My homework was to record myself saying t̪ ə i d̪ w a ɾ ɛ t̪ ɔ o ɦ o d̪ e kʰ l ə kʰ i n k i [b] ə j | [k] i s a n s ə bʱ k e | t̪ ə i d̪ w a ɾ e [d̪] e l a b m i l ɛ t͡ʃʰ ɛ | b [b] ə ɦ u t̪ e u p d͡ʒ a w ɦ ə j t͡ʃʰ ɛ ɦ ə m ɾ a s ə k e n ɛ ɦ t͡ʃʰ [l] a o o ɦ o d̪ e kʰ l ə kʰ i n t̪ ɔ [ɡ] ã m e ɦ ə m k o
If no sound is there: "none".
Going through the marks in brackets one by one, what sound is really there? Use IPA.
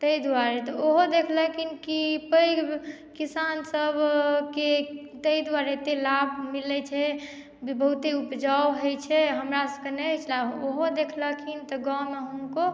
p, k, t̪, b, l, ɡ

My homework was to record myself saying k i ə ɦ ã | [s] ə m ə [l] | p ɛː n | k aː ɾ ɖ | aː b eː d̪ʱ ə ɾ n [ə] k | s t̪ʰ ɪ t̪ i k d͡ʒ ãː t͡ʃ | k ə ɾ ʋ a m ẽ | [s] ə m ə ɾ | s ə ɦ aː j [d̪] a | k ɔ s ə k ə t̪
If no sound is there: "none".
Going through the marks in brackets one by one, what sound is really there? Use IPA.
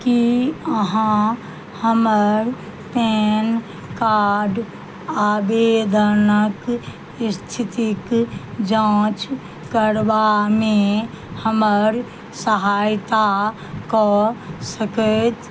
h, ɾ, ə, h, t̪

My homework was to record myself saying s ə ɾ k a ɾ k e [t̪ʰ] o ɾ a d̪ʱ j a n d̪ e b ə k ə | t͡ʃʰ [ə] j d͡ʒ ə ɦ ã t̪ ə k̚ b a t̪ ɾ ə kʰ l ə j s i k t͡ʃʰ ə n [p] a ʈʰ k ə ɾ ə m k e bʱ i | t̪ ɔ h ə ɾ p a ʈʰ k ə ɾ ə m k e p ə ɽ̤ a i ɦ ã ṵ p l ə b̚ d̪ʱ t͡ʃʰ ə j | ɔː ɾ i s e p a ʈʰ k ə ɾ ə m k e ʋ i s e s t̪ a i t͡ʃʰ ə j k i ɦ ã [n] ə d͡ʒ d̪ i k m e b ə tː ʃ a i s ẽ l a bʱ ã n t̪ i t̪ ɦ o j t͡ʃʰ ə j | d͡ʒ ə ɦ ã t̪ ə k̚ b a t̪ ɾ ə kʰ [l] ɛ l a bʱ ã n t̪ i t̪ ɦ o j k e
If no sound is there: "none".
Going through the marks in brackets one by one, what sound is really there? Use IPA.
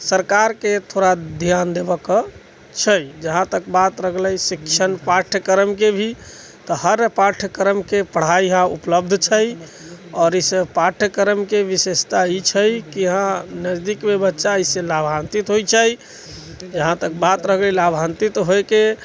t̪ʰ, ə, p, n, l

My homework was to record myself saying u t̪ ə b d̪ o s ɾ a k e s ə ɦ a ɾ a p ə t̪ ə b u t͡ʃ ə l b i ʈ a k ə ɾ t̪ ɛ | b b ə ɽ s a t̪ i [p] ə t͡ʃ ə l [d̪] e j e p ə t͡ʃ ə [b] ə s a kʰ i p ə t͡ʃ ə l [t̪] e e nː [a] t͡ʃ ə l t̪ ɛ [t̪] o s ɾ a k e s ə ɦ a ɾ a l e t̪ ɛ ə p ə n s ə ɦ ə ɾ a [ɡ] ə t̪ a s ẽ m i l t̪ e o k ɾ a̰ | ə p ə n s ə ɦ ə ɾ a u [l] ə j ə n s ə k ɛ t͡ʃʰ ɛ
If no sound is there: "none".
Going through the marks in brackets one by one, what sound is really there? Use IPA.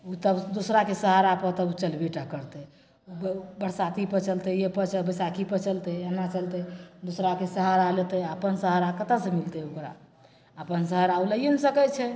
p, t̪, b, t̪, a, d̪, k, l

